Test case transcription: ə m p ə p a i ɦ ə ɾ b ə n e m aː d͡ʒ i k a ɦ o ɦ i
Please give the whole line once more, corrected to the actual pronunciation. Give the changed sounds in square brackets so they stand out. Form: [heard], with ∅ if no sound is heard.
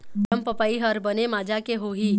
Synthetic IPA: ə m p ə p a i ɦ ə ɾ b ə n e m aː d͡ʒ [a] k [e] ɦ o ɦ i